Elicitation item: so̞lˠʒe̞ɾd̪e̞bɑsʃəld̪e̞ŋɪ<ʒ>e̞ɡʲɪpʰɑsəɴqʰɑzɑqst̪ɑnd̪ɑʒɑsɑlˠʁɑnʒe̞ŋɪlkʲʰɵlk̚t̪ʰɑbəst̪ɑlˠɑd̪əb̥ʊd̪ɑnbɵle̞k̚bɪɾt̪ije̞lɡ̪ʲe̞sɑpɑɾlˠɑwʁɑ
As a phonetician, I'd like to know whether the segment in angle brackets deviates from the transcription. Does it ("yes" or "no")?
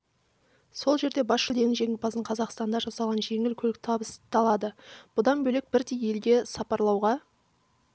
no